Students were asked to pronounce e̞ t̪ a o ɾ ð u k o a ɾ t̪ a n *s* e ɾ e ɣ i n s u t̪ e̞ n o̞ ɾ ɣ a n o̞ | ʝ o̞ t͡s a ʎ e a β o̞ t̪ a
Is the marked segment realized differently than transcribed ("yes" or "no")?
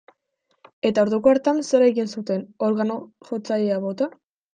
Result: no